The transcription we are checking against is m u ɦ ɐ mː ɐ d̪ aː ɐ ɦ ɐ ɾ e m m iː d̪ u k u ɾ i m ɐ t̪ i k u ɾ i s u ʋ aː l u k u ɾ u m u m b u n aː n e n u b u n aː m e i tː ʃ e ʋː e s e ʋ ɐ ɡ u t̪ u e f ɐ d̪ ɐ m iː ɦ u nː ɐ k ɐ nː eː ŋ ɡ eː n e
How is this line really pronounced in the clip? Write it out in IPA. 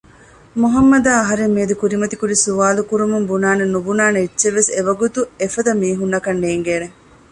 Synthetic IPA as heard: m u ɦ ɐ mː ɐ d̪ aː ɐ ɦ ɐ ɾ e m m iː d̪ u k u ɾ i m ɐ t̪ i k u ɾ i s u ʋ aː l u k u ɾ u m u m b u n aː n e n u b u n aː n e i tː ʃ e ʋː e s e ʋ ɐ ɡ u t̪ u e f ɐ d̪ ɐ m iː ɦ u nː ɐ k ɐ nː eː ŋ ɡ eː n e